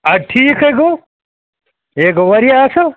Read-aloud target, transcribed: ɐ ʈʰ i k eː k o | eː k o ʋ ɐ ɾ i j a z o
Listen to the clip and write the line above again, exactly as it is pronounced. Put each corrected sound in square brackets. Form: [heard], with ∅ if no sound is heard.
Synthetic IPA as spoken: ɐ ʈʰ [iː] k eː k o | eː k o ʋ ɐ ɾ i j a [s] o